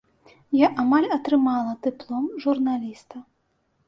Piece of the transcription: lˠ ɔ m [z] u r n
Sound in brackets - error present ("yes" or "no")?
yes